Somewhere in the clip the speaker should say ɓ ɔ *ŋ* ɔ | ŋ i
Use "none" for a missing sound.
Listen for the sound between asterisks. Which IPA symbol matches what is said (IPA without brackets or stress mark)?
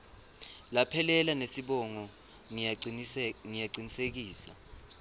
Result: ŋ